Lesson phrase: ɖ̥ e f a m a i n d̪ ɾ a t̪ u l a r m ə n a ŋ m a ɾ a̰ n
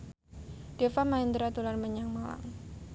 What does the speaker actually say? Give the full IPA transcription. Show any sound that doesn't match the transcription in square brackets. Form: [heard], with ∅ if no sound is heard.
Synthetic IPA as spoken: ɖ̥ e f a m a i n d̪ ɾ a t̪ u l a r m ə [ɲ] a ŋ m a [l] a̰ [ŋ]